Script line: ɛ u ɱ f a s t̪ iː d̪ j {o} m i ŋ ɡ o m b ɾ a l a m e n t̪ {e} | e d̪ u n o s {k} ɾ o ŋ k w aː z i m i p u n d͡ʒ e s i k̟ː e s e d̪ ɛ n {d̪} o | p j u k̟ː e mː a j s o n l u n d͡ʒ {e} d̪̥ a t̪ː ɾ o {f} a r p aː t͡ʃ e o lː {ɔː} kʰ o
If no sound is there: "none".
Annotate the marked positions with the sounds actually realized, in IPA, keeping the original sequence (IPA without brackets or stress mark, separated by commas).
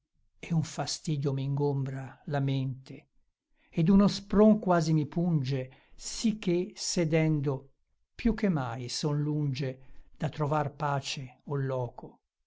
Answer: o, e, p, d̪, e, v, ɔː